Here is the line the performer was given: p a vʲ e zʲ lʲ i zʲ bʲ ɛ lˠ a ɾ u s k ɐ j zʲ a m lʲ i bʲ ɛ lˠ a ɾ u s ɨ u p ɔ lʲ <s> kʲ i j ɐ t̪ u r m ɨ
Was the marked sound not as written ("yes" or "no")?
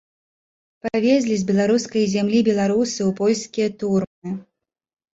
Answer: no